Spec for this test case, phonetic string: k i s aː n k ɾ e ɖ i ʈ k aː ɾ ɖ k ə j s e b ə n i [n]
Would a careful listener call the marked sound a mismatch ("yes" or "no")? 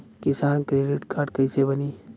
yes